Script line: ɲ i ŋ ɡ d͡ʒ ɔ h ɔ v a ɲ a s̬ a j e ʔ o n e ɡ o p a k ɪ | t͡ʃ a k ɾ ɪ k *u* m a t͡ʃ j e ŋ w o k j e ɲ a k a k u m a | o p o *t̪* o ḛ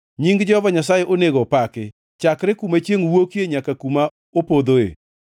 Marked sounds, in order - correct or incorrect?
correct, incorrect: d̪

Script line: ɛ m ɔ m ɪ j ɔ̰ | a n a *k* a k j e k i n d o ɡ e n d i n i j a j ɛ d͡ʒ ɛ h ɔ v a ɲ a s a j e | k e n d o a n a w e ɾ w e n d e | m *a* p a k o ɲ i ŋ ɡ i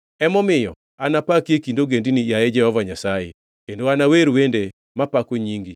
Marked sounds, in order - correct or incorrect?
incorrect: p, correct

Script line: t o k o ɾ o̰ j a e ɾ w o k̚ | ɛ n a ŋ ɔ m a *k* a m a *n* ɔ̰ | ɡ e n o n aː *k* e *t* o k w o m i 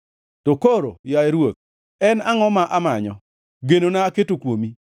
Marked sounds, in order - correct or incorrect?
incorrect: ʔ, incorrect: ɲ, correct, correct

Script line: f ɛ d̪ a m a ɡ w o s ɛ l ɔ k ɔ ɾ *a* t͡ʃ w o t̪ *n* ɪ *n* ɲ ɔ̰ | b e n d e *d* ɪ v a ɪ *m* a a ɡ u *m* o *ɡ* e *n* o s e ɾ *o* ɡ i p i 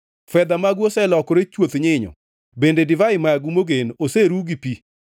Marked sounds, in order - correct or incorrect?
incorrect: e, incorrect: ɲ, incorrect: none, correct, correct, correct, correct, correct, incorrect: u

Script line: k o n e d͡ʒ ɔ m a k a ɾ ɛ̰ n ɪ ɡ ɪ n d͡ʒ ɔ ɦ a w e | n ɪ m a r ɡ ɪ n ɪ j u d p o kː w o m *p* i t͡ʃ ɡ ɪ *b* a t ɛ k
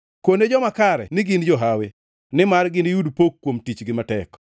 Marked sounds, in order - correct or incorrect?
incorrect: t, incorrect: m

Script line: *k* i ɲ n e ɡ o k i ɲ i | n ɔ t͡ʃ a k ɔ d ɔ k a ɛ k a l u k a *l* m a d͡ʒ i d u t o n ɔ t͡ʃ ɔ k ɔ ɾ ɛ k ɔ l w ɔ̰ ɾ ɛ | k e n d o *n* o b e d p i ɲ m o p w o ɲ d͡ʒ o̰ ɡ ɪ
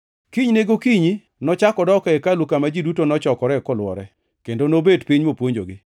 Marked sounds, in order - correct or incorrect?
correct, incorrect: none, correct

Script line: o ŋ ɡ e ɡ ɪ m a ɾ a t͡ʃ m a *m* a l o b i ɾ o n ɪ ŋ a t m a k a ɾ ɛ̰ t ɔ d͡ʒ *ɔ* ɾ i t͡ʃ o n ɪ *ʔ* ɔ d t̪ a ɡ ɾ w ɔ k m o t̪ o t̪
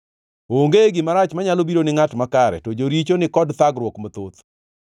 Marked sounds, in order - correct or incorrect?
incorrect: ɲ, incorrect: o, incorrect: k

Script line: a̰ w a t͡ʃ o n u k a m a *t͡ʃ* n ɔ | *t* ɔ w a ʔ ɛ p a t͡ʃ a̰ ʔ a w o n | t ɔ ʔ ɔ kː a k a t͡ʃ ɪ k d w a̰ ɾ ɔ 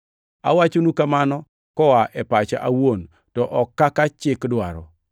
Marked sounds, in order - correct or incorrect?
incorrect: none, incorrect: k

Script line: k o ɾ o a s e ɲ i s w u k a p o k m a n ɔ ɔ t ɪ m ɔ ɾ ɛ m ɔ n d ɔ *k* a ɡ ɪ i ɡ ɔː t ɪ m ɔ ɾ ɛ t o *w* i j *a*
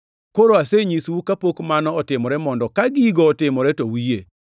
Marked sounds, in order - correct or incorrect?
correct, correct, incorrect: e

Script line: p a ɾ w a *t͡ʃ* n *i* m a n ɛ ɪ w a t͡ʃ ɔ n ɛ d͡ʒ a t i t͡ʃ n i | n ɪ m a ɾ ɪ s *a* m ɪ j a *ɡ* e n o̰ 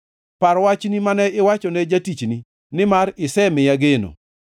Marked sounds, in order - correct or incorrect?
correct, correct, incorrect: ɛ, correct

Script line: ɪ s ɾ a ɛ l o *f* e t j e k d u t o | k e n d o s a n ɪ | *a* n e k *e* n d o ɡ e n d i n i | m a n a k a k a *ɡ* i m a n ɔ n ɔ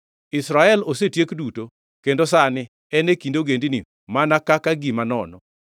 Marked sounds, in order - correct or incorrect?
incorrect: s, incorrect: ɛ, incorrect: i, correct

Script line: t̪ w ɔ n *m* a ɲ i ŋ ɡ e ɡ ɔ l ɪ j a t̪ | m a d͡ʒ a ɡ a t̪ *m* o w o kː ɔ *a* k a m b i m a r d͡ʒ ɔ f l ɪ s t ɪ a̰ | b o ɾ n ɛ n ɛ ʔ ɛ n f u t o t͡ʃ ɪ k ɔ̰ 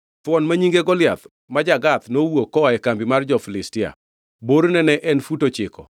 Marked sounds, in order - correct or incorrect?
correct, incorrect: n, incorrect: ɛ

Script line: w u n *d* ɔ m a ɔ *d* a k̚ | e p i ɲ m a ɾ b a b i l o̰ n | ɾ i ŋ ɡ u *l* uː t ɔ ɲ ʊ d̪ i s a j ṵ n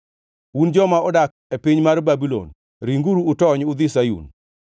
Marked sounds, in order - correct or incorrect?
incorrect: d͡ʒ, correct, incorrect: ɾ

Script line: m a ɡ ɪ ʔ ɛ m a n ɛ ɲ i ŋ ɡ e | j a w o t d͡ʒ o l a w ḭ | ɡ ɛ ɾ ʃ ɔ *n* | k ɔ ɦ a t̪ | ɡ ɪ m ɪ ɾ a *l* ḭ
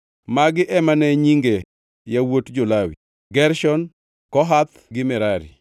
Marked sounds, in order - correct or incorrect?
correct, incorrect: ɾ

